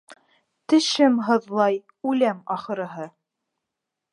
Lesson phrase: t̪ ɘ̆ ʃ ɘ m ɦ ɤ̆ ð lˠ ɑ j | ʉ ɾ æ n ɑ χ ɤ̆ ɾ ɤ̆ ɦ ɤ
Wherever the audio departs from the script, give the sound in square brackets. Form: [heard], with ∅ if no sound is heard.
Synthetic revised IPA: t̪ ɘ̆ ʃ ɘ m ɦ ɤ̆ ð lˠ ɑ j | ʉ [l] æ [m] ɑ χ ɤ̆ ɾ ɤ̆ ɦ ɤ